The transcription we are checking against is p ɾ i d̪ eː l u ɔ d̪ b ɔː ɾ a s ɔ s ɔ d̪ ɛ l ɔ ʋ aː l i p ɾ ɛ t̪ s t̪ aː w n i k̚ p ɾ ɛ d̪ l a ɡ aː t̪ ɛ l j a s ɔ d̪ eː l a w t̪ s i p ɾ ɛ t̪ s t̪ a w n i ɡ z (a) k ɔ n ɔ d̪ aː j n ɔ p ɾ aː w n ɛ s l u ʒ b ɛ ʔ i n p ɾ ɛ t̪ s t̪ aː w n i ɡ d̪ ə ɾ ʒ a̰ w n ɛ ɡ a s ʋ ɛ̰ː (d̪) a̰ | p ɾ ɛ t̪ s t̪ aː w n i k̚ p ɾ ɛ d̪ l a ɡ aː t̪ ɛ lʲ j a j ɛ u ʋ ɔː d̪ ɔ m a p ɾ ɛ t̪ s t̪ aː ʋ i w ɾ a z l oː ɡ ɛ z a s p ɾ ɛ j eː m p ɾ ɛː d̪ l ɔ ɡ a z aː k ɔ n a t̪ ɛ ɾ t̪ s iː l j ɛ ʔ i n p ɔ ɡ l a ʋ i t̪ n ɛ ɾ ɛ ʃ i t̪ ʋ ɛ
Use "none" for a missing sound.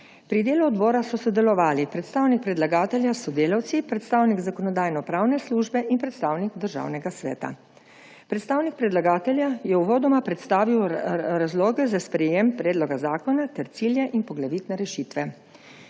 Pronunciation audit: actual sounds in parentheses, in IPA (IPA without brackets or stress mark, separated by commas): a, t̪